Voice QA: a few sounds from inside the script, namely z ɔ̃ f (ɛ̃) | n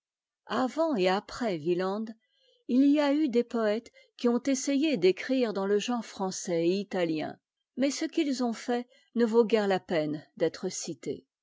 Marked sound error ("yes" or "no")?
yes